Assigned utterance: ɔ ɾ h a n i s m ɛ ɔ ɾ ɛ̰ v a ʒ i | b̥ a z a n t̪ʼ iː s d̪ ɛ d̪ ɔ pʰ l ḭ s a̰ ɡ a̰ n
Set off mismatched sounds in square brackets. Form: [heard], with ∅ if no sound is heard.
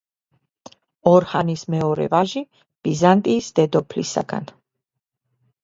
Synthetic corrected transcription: ɔ ɾ h a n i s m ɛ ɔ ɾ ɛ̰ v a ʒ i | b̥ [i] z a n t̪ʼ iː s d̪ ɛ d̪ ɔ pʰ l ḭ s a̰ ɡ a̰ n